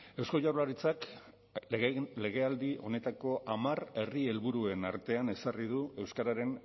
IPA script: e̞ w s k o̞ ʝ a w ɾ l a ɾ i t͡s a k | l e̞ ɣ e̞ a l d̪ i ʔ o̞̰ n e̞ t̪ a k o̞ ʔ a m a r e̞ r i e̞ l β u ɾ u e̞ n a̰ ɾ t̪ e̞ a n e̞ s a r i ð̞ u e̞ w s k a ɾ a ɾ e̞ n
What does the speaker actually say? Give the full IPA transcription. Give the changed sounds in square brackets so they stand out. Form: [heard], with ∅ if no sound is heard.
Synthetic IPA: e̞ w s k o̞ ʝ a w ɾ l a ɾ i t͡s a k | l e̞ ɣ e̞ a l d̪ i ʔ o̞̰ n e̞ t̪ a k o̞ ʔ a m a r e̞ r i e̞ l β u ɾ u e̞ n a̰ ɾ t̪ e̞ a n e̞ s a r i ð̞ u e̞ w s k a ɾ a ɾ e̞ n